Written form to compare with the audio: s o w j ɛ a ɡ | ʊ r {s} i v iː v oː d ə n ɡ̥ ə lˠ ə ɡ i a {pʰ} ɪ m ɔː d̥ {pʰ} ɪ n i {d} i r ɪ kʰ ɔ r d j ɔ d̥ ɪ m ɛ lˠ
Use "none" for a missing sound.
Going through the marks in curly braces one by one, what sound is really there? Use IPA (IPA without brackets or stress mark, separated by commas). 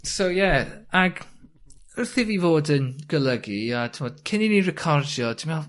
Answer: θ, tʰ, kʰ, n